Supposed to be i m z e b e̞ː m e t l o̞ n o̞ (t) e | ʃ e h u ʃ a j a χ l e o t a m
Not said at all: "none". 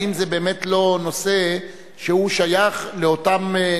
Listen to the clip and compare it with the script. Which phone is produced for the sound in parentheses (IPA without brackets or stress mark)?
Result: s